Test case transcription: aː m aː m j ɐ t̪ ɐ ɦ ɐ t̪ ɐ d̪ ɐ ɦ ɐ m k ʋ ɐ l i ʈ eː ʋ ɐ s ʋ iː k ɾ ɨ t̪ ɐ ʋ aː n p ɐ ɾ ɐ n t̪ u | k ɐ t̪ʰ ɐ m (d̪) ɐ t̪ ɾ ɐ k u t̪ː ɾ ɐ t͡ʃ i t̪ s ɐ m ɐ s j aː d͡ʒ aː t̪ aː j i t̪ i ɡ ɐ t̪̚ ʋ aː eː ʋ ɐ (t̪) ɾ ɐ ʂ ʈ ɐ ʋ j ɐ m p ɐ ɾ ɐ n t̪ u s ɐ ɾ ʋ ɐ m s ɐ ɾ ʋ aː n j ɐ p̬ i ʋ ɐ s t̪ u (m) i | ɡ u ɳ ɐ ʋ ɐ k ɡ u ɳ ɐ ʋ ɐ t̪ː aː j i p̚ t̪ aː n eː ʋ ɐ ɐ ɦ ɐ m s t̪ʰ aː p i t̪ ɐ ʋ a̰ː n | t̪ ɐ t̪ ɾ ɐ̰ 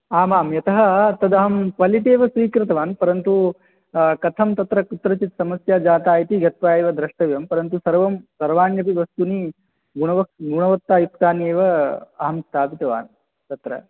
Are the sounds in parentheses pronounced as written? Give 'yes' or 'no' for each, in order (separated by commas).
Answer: no, no, no